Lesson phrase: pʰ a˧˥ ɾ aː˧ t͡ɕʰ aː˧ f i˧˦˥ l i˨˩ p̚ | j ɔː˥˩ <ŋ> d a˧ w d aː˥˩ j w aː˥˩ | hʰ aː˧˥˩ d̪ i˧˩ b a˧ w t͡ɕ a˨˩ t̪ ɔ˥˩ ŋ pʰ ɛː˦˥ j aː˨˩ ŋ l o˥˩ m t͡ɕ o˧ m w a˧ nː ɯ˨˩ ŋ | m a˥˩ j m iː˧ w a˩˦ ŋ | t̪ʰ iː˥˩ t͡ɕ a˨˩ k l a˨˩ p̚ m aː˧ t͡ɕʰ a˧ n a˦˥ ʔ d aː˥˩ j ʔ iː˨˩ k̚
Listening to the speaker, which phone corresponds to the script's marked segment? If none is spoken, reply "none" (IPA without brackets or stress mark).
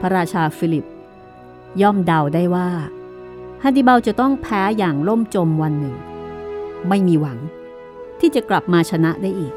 m